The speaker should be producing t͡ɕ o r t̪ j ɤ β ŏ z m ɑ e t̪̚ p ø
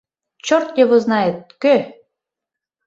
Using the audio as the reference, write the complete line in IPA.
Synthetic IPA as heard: t͡ɕ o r t̪ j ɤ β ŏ z n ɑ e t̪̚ k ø